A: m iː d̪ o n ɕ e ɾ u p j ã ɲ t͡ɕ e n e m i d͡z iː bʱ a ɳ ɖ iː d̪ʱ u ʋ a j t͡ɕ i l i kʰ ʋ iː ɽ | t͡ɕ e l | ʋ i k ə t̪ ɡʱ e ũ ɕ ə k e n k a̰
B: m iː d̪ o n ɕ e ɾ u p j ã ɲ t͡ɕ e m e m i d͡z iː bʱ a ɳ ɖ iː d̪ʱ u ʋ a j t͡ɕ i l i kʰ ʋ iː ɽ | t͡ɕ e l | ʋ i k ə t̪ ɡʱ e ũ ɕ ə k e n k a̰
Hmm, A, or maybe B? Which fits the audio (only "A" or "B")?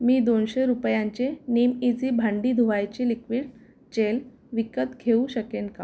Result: A